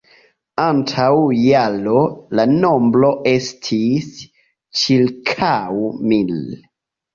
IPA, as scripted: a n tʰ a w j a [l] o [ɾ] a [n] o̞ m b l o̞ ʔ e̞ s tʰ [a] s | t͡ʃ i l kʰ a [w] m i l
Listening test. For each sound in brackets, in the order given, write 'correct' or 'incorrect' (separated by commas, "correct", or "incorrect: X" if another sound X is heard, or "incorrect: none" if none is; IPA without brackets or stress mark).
correct, incorrect: l, correct, incorrect: i, correct